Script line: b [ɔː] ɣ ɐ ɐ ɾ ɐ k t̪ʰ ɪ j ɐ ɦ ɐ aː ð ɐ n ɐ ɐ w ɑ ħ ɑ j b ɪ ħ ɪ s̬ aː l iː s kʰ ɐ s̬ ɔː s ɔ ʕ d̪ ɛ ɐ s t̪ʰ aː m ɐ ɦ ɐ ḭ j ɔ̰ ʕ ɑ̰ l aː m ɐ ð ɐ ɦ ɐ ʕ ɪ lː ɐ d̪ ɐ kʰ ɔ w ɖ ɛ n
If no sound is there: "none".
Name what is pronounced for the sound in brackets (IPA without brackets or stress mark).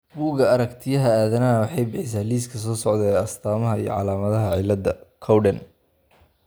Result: uː